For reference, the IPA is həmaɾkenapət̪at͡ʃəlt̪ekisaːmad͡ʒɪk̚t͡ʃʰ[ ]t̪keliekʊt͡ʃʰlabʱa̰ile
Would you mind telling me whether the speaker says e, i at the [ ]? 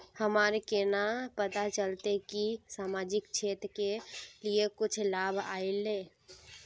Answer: e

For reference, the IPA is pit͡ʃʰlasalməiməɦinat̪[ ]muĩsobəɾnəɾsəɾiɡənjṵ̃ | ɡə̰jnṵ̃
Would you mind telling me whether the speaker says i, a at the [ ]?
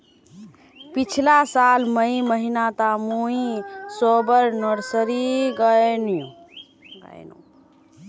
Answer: a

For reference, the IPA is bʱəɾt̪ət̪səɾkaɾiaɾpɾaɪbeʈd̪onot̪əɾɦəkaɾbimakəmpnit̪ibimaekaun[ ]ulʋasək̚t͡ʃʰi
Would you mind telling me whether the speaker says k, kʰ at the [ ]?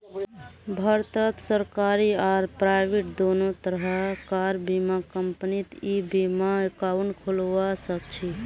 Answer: kʰ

